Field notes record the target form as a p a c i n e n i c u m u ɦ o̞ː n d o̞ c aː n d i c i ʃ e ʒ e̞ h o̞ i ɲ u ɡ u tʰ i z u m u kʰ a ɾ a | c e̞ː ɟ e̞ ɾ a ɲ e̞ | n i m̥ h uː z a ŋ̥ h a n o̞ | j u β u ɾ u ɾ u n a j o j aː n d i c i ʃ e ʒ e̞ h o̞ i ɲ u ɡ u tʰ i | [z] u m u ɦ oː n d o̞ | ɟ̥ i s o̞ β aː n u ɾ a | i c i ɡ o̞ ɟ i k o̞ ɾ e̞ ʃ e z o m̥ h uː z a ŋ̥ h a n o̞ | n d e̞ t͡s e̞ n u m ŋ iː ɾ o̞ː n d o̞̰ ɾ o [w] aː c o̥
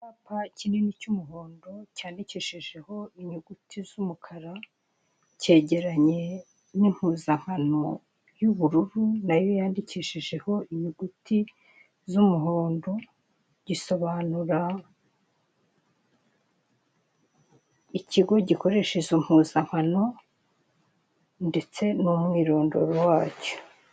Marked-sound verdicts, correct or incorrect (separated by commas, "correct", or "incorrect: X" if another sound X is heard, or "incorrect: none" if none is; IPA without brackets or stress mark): correct, correct